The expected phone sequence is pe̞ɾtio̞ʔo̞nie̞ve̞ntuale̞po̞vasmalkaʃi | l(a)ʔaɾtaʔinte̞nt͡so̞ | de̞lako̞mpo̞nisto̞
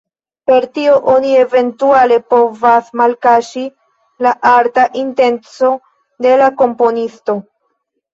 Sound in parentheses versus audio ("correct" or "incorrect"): correct